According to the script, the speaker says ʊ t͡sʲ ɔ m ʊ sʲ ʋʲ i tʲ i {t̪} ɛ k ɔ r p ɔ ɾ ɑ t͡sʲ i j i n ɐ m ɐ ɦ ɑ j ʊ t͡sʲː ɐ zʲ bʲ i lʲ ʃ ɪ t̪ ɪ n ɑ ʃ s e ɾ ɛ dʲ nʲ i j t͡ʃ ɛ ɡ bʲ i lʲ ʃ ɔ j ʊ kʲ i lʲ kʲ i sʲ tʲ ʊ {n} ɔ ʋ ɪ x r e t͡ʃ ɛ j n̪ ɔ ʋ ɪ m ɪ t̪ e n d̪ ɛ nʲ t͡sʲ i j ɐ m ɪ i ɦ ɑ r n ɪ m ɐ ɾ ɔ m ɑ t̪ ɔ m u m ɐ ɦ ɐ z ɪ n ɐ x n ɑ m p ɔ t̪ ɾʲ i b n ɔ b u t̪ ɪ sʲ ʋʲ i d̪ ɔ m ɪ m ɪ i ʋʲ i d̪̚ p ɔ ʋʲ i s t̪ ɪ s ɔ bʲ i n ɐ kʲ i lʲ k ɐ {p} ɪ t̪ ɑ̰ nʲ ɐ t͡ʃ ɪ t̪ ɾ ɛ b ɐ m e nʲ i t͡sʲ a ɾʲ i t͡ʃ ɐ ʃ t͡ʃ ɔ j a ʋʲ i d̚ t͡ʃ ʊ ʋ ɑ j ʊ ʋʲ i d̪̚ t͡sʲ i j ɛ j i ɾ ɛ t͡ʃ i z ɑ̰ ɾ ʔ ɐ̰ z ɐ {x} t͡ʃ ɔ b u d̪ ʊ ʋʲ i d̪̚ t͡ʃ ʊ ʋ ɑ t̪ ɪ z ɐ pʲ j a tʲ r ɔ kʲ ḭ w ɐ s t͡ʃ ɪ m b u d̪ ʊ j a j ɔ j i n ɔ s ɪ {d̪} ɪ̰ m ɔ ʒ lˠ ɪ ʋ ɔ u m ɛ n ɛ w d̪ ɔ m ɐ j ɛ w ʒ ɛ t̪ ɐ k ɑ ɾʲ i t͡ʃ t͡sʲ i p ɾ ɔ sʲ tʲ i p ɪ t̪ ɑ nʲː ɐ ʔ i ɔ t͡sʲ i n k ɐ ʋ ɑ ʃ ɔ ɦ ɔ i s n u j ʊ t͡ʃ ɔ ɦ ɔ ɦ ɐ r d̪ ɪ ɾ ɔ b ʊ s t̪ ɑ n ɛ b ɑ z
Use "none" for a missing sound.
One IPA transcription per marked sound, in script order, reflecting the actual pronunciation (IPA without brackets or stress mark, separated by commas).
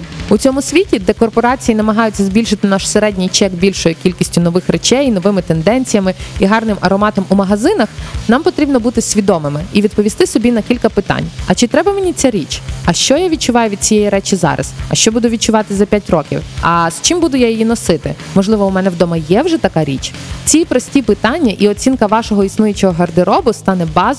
d̪, n, p, ʃ, t̪